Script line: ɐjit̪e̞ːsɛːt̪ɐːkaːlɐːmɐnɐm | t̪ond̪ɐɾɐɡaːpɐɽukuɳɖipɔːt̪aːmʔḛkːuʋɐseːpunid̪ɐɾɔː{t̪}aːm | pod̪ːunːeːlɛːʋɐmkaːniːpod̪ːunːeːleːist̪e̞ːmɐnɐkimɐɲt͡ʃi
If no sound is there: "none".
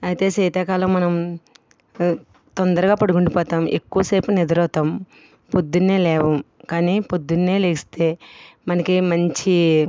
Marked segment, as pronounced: t̪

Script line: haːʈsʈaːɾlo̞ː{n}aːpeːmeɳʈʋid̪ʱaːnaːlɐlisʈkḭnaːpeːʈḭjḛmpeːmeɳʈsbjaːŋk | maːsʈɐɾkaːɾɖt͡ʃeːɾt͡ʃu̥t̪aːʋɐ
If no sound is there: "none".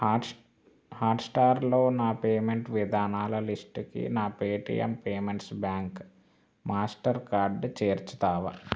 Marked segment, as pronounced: n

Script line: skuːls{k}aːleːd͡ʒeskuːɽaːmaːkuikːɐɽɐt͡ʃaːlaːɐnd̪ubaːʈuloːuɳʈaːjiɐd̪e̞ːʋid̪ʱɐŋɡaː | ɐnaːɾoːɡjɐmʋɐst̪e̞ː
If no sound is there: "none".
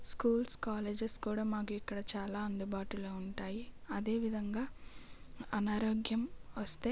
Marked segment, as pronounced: k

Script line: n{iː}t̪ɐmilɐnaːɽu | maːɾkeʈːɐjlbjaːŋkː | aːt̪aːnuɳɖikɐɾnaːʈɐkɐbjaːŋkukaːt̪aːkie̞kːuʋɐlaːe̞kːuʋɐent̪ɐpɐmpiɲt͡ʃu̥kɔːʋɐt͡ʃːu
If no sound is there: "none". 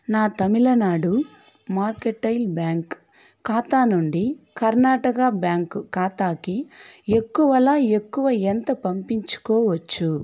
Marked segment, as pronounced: aː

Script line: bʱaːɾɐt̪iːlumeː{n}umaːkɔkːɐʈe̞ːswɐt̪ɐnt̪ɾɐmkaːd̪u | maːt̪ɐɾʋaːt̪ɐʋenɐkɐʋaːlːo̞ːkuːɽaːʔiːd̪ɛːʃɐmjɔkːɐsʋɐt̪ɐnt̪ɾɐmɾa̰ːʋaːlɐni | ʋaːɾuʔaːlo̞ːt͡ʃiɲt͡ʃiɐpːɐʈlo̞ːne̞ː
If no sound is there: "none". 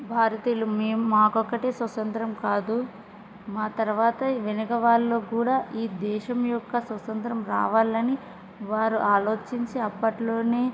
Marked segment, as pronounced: m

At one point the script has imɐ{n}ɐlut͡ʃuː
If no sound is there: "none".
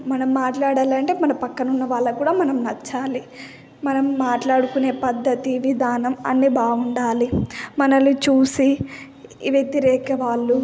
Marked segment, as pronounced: n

